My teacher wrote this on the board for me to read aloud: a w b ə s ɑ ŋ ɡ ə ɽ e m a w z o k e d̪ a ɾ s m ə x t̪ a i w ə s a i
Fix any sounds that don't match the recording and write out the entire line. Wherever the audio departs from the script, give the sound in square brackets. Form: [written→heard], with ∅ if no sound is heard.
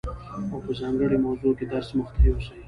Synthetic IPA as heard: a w [b→p] ə [s→z] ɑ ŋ ɡ ə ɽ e m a w z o k e d̪ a ɾ s m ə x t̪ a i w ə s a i

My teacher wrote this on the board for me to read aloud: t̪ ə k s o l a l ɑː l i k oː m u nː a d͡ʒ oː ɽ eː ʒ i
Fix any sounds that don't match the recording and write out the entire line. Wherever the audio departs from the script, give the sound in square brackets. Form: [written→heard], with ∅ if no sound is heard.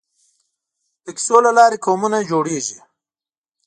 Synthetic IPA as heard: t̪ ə k s o l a l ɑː [l→ɾ] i k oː m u [nː→n] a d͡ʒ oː ɽ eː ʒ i

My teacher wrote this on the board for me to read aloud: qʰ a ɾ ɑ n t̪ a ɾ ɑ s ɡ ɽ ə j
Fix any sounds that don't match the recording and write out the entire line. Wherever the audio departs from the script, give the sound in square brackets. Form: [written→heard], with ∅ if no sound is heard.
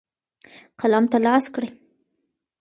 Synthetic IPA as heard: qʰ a [ɾ→l] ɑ [n→m] t̪ a [ɾ→l] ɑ s [ɡ→k] ɽ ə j

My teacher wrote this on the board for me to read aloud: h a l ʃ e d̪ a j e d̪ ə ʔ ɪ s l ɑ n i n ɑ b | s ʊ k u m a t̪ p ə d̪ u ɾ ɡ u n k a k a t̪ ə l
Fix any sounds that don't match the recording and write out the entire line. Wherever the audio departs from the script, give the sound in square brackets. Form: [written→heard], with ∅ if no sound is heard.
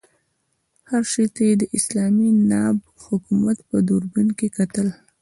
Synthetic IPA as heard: h a [l→ɾ] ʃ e [d̪→t̪] a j e d̪ ə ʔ ɪ s l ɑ [n→m] i n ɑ b | [s→h] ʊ k u m a t̪ p ə d̪ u ɾ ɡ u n k [a→e] k a t̪ ə l

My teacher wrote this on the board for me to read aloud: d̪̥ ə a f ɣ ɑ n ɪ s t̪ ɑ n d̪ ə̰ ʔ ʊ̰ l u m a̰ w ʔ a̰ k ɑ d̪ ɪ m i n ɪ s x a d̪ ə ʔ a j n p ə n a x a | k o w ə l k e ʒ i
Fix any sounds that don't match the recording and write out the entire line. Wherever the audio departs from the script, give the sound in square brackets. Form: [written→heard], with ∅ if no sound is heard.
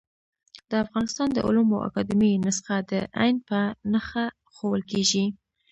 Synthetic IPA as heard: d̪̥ ə a f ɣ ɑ n ɪ s t̪ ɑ n d̪ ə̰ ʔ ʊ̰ l u m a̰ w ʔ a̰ k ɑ d̪ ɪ m i n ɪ s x a d̪ ə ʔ a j n p ə n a x a | [k→x] o w ə l k e ʒ i

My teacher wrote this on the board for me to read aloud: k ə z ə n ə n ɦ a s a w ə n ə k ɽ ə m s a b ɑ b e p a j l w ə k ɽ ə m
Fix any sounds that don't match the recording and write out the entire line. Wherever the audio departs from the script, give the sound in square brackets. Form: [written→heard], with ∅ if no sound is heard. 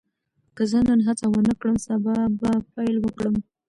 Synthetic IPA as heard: k ə z ə n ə n ɦ a [s→t͡s] a w ə n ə k ɽ ə m s a b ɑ b [e→a] p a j l w ə k ɽ ə m

